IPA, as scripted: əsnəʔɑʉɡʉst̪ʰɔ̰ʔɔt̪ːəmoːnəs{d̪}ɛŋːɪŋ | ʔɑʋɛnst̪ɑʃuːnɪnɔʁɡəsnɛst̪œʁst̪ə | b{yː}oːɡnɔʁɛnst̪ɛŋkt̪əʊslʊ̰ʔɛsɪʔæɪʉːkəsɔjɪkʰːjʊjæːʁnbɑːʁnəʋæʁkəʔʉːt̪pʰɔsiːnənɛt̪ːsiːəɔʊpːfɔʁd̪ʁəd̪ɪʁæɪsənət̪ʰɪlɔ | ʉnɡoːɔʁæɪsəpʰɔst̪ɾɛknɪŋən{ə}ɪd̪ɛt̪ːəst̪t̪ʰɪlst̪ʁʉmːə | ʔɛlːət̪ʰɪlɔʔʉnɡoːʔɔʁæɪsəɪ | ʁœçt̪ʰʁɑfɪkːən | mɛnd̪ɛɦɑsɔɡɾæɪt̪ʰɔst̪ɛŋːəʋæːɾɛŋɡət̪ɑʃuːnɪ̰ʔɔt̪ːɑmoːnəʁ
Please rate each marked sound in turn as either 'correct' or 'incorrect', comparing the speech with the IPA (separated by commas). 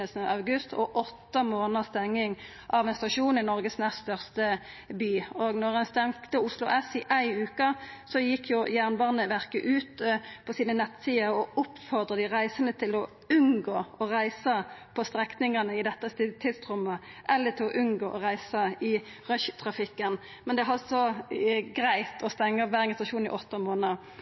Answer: incorrect, correct, correct